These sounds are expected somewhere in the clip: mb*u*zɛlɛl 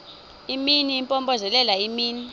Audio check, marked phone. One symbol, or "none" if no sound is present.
ɔ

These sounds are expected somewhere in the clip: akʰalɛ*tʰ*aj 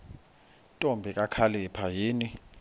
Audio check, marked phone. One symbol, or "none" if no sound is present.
pʰ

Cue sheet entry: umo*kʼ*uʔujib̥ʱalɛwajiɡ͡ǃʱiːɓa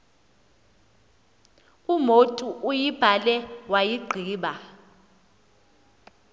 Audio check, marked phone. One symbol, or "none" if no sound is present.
tʼ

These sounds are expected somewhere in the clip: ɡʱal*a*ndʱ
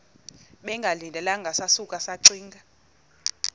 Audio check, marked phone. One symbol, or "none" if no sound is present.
i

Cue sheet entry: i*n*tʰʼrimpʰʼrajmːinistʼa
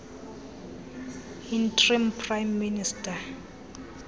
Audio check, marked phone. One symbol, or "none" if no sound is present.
n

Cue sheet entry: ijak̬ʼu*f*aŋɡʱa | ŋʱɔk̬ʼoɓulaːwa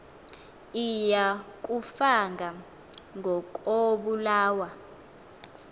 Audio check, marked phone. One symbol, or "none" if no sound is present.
f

